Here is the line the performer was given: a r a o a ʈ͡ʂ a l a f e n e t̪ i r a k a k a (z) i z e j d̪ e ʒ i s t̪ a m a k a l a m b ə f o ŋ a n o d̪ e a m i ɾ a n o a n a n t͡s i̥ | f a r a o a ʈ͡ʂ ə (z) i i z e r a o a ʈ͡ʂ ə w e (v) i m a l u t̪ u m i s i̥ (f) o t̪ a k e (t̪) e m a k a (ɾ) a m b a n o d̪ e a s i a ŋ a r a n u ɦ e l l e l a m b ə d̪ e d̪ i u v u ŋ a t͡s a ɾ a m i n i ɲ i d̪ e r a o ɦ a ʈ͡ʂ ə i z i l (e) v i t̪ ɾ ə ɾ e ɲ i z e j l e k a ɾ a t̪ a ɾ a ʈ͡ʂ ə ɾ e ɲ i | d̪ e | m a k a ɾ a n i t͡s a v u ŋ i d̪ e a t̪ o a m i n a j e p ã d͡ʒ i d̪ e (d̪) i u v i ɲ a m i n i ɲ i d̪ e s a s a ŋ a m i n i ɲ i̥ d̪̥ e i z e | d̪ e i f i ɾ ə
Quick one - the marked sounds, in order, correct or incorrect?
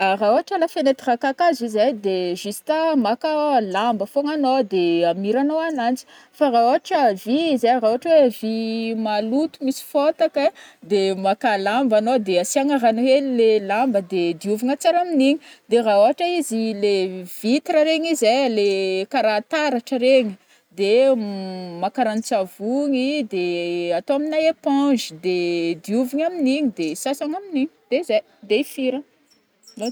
correct, incorrect: v, correct, correct, incorrect: d̪, incorrect: l, correct, correct

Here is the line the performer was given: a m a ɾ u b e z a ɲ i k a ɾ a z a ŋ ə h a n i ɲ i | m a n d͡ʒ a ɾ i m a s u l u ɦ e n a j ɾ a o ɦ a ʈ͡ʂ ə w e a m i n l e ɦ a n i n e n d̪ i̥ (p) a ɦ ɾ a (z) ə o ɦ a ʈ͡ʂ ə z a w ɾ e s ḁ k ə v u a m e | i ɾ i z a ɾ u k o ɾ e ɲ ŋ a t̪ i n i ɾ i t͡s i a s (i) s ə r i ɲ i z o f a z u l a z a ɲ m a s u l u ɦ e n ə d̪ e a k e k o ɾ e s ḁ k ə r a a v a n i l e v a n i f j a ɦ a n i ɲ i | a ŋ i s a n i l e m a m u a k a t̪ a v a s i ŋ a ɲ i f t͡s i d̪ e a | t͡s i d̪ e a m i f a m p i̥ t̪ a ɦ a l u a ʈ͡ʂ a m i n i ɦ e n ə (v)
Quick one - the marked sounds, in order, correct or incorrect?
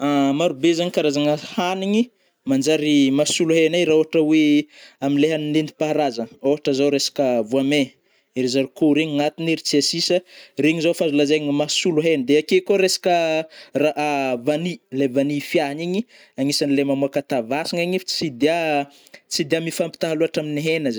correct, correct, correct, incorrect: z

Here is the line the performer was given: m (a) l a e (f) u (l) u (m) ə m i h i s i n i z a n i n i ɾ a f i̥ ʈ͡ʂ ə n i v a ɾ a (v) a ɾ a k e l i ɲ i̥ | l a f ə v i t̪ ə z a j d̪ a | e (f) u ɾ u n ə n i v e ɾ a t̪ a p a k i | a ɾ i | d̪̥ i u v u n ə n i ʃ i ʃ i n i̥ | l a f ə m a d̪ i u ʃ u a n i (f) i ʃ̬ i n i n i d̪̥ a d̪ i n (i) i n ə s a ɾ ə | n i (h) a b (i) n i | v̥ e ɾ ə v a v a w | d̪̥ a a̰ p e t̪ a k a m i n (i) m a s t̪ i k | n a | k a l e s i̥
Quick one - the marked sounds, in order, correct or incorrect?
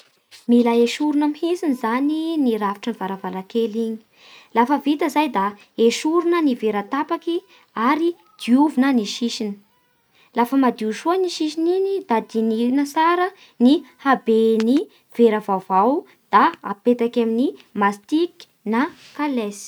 incorrect: i, incorrect: ʃ, incorrect: ɾ, incorrect: n, correct, incorrect: ʃ, incorrect: ʃ, correct, correct, incorrect: e, correct

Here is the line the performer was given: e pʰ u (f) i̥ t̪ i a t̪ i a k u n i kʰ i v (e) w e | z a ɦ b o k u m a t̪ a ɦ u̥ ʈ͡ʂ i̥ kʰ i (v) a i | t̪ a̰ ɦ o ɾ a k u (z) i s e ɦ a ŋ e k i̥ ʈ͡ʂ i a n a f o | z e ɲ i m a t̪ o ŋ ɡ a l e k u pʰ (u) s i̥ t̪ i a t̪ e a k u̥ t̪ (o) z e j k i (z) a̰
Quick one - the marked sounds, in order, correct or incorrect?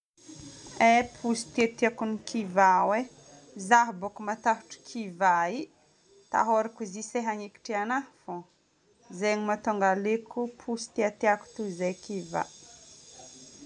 incorrect: s, incorrect: a, correct, correct, correct, incorrect: u, incorrect: v

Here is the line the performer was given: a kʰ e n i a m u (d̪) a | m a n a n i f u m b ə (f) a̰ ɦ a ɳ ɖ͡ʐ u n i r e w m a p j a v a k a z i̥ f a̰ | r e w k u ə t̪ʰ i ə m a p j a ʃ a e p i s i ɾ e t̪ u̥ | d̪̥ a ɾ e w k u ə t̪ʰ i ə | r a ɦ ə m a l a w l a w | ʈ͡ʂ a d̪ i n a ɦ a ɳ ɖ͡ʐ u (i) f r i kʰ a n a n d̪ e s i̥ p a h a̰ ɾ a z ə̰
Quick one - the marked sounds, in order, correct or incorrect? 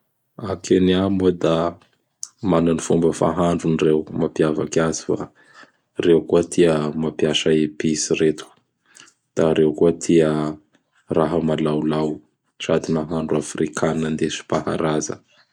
correct, correct, incorrect: a

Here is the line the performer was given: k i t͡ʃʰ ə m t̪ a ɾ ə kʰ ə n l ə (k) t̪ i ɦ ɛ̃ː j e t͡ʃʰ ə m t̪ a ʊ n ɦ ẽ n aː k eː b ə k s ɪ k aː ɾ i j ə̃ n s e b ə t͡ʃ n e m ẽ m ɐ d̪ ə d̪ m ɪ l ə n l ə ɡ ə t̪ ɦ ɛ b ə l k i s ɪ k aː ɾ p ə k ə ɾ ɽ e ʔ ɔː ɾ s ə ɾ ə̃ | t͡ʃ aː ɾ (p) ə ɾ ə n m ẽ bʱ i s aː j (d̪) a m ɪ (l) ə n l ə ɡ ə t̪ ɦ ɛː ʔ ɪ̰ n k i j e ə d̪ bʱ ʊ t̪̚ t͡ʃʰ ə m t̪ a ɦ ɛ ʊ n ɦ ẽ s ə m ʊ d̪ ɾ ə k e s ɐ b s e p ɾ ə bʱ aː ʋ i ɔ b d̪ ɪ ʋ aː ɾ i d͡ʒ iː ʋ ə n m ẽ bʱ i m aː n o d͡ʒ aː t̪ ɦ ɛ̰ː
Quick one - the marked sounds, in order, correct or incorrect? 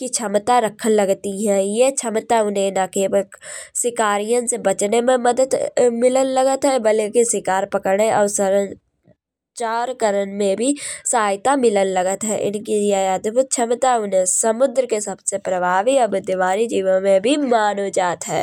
incorrect: ɡ, incorrect: k, incorrect: t̪, correct

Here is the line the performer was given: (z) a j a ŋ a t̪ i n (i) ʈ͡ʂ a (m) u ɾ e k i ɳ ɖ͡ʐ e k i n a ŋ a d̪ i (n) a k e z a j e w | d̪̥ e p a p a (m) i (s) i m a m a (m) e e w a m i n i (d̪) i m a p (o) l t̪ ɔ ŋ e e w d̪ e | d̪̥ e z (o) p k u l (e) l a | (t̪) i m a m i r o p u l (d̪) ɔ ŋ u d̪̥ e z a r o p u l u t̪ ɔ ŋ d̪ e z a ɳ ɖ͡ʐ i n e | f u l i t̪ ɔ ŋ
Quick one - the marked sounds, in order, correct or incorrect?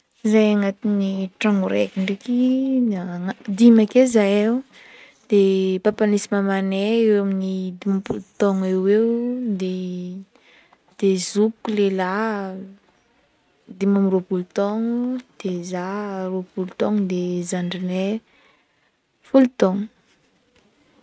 correct, correct, incorrect: ŋ, incorrect: m, incorrect: n, correct, incorrect: n, correct, incorrect: u, incorrect: u, correct, incorrect: d̪, incorrect: t̪

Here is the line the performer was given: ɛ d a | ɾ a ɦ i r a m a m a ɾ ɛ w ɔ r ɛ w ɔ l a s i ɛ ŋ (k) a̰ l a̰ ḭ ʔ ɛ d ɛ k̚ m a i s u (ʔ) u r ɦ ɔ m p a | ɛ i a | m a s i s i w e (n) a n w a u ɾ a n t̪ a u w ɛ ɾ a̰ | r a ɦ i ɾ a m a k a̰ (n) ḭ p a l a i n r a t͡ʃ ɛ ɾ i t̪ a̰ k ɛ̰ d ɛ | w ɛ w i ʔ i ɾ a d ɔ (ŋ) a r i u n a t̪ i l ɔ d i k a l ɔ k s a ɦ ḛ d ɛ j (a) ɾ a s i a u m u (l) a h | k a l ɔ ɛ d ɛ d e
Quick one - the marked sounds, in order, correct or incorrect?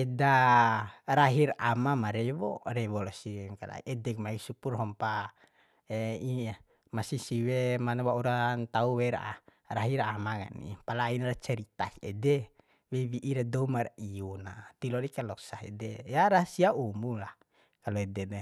correct, incorrect: p, incorrect: m, correct, incorrect: m, correct, correct

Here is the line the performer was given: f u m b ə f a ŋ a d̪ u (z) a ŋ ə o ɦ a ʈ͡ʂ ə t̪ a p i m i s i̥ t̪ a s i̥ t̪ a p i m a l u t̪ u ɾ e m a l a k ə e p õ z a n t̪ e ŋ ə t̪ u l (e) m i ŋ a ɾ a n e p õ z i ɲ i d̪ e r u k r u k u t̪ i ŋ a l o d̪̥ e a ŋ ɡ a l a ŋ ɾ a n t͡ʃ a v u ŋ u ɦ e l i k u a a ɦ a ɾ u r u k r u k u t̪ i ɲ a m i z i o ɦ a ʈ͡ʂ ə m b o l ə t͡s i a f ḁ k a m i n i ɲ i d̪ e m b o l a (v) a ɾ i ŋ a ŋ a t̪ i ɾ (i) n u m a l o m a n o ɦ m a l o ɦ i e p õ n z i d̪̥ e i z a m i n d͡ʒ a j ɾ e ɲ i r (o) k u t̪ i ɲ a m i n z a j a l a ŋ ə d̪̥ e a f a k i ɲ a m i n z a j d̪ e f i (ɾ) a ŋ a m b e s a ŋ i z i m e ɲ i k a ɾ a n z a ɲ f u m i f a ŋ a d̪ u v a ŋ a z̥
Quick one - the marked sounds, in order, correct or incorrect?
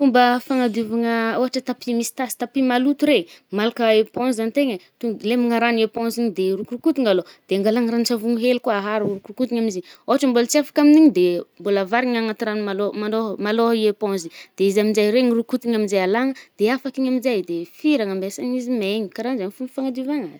incorrect: v, correct, correct, incorrect: a, incorrect: u, correct

